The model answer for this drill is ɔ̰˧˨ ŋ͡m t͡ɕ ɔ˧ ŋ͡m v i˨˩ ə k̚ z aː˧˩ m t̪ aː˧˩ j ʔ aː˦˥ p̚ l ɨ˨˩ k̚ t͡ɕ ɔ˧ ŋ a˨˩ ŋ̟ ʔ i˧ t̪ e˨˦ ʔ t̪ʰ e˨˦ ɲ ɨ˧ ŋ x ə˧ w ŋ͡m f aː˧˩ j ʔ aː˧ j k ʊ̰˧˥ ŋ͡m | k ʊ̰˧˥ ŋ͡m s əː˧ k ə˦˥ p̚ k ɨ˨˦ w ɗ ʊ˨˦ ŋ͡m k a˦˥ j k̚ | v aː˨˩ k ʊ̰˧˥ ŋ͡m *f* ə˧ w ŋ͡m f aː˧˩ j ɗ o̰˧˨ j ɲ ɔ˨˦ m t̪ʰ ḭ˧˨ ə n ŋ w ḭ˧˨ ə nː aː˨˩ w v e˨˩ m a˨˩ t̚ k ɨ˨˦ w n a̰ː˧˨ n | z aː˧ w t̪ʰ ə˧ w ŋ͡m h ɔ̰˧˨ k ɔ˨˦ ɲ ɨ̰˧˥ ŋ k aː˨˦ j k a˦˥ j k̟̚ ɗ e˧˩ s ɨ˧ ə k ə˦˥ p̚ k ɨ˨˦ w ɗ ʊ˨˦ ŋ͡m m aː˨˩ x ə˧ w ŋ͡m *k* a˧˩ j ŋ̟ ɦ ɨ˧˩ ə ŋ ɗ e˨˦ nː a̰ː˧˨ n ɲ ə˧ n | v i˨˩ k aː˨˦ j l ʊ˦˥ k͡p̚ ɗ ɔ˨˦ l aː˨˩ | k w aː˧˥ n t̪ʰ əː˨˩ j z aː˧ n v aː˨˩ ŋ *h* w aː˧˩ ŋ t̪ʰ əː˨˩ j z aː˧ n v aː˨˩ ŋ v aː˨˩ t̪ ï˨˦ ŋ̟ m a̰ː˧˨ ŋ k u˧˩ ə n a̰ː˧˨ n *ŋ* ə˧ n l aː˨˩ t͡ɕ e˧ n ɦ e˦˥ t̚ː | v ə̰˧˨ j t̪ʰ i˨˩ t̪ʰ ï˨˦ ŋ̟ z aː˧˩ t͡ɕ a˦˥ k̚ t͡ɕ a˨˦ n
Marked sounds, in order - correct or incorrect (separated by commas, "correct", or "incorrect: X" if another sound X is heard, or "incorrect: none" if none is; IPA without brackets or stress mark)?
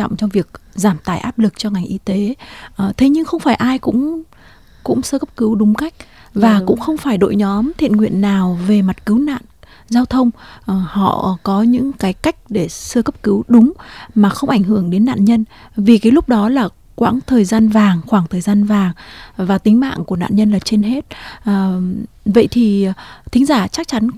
incorrect: x, incorrect: ʔ, incorrect: x, incorrect: ɲ